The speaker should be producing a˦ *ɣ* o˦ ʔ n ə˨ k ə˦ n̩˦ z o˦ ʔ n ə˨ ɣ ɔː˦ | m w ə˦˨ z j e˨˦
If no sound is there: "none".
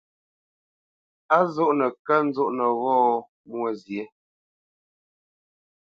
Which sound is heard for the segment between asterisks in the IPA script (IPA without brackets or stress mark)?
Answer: z